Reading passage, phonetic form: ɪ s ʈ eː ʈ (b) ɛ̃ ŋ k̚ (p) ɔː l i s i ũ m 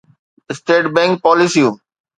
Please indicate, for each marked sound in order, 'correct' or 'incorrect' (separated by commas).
correct, correct